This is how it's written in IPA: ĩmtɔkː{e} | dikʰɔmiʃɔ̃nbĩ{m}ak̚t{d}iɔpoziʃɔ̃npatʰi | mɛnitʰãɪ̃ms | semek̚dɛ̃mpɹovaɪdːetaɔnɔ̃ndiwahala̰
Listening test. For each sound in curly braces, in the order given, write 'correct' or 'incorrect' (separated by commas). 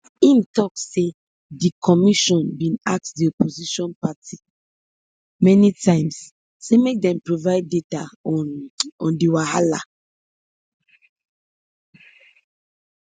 correct, incorrect, correct